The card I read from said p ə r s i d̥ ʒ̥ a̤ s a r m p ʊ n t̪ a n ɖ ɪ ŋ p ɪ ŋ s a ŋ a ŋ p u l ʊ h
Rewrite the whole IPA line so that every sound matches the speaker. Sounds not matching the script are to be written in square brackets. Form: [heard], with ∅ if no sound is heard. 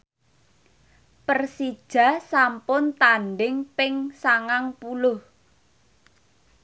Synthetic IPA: p ə r s i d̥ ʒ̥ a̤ s a [∅] m p ʊ n t̪ a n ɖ ɪ ŋ p ɪ ŋ s a ŋ a ŋ p u l ʊ h

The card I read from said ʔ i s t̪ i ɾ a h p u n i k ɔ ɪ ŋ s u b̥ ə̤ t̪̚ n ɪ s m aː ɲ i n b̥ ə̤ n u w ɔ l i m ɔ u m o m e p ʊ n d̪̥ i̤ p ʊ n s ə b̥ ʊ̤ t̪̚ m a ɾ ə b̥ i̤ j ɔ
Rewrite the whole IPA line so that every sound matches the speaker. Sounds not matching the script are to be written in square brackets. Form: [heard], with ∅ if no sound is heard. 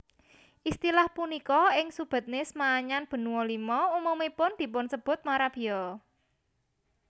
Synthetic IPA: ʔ i s t̪ i [l] a h p u n i k ɔ ɪ ŋ s u b̥ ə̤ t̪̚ n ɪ s m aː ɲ [a] n b̥ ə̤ n u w ɔ l i m ɔ u m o m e p ʊ n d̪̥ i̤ p ʊ n s ə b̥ ʊ̤ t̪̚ m a ɾ [a] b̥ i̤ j ɔ

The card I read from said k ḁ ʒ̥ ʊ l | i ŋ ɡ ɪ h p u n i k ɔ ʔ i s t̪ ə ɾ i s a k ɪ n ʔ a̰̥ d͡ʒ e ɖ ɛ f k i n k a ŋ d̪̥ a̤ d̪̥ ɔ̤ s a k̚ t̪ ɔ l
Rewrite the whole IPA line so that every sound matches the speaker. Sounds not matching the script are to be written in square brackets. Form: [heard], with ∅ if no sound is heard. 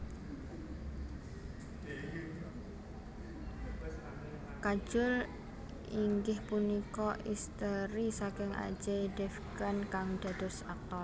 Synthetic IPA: k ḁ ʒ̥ ʊ l | i ŋ ɡ ɪ h p u n i k ɔ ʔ i s t̪ ə ɾ i s a k ɪ [ŋ] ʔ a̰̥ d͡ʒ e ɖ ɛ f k [a] n k a ŋ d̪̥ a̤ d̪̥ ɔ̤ s a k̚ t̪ ɔ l

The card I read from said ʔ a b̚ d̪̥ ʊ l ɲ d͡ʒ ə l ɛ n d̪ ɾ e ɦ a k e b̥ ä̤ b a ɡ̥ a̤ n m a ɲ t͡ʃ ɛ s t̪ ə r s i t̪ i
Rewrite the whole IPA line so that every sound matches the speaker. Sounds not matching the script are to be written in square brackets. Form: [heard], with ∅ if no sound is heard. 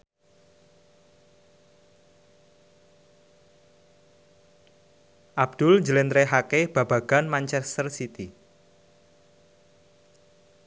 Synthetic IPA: ʔ a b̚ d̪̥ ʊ l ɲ d͡ʒ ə l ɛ n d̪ ɾ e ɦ a k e b̥ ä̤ b a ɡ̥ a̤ n m a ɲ t͡ʃ ɛ s t̪ ə r s i t̪ i

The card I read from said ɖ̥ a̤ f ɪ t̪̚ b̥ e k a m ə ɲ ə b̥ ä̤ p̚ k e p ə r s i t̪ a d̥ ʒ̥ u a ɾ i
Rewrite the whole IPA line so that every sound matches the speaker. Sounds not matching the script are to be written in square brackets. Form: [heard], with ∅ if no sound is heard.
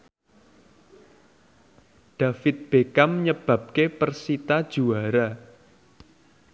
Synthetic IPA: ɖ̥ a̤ f ɪ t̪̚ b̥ e k a m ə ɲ ə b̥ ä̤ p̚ k e p ə r s i t̪ a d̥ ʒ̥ u a ɾ [a]

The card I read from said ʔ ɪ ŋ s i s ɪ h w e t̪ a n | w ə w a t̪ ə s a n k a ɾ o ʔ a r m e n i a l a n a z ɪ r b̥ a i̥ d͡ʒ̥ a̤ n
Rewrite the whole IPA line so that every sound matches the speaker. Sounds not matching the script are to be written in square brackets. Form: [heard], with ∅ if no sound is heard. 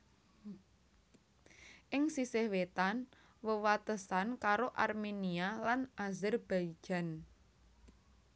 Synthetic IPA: ʔ ɪ ŋ s i s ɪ h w e t̪ a n | w ə w a t̪ ə s a n k a ɾ o ʔ a r m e n i a l a n a z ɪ r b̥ a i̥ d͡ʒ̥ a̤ n

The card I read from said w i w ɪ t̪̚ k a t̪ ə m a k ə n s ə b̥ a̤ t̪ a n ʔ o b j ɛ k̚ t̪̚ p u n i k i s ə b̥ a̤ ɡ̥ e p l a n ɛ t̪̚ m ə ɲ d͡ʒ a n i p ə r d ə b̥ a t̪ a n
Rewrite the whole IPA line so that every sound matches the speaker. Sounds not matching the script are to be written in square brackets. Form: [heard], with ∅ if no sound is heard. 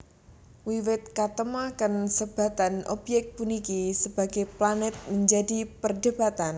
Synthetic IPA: w i w ɪ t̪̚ k a t̪ ə m a k ə n s ə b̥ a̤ t̪ a n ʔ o b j ɛ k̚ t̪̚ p u n i k i s ə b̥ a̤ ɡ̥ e p l a n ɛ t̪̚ m ə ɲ d͡ʒ a [d] i p ə r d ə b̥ a t̪ a n

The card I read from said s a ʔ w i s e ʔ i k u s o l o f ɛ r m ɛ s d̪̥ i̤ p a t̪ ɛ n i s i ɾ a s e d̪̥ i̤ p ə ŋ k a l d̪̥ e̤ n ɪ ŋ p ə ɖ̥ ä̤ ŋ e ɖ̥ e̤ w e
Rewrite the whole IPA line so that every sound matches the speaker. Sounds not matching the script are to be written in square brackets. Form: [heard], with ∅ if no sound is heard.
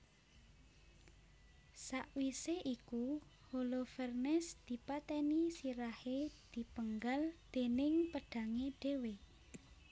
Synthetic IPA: s a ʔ w i s e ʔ i k u [h] o l o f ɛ r [n] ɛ s d̪̥ i̤ p a t̪ ɛ n i s i ɾ a [h] e d̪̥ i̤ p ə ŋ [ɡ] a l d̪̥ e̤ n ɪ ŋ p ə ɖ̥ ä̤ ŋ e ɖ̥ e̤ w e

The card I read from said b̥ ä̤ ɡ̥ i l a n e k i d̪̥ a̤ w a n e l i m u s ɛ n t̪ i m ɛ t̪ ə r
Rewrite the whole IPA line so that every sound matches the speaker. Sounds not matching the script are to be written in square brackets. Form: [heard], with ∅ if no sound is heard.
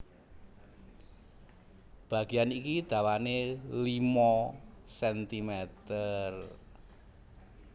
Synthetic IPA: b̥ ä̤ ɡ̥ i [∅] a n [i] k i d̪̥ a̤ w a n e l i m [ɔ] s ɛ n t̪ i m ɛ t̪ ə r

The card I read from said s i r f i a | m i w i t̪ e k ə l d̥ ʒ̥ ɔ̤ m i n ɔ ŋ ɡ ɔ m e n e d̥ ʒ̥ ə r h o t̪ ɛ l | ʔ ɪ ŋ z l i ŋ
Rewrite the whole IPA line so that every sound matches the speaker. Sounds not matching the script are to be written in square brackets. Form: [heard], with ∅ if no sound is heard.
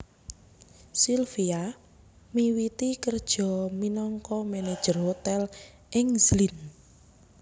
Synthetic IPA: s i [l] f i a | m i w i t̪ [i] k ə [r] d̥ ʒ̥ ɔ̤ m i n ɔ ŋ [k] ɔ m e n e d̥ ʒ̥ ə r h o t̪ ɛ l | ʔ ɪ ŋ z l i [n]

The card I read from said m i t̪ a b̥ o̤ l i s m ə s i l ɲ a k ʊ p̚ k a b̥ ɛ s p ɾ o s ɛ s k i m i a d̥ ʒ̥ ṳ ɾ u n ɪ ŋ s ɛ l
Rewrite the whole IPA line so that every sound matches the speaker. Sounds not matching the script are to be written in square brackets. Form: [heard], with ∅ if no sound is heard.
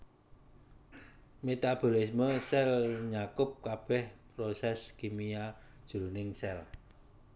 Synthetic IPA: m [e] t̪ a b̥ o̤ l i s m ə s [ɛ] l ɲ a k ʊ p̚ k a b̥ ɛ [h] p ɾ o s ɛ s k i m i a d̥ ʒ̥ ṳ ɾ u n ɪ ŋ s ɛ l

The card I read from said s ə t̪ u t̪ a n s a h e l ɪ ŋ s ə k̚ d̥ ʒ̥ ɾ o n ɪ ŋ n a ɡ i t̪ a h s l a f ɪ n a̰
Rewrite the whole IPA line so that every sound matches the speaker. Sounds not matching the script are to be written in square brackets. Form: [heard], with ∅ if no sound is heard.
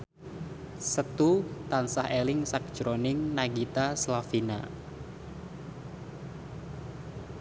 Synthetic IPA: s ə t̪ u t̪ a n s a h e l ɪ ŋ s [a] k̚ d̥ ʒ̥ ɾ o n ɪ ŋ n a ɡ i t̪ a [∅] s l a f [i] n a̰

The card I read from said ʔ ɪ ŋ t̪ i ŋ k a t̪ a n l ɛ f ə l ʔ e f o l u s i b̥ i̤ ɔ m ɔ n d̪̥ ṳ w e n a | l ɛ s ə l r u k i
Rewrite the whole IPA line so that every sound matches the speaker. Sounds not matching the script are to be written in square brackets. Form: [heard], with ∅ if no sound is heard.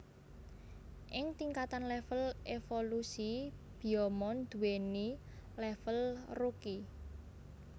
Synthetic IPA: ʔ ɪ ŋ t̪ i ŋ k a t̪ a n l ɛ f ə l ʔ e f o l u s i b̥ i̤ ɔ m ɔ n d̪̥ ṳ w e n [i] | l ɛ [f] ə l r u k i

